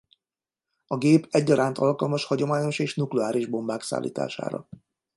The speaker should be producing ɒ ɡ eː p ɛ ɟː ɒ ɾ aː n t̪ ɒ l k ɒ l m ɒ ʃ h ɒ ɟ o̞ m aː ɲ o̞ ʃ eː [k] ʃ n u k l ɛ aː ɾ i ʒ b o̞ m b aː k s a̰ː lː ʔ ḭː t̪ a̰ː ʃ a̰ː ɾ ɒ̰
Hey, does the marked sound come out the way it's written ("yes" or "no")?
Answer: no